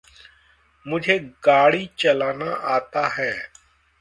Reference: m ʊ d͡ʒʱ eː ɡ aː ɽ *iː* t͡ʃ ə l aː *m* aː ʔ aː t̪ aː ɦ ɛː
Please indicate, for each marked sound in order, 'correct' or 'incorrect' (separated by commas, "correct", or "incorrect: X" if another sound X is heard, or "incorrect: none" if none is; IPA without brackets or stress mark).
correct, incorrect: n